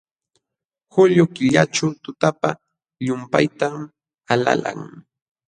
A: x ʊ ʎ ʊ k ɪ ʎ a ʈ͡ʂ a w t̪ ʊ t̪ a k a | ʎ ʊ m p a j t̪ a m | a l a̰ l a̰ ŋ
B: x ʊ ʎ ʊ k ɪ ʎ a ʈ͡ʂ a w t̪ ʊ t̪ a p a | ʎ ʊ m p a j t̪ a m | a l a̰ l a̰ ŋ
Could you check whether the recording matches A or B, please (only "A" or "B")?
B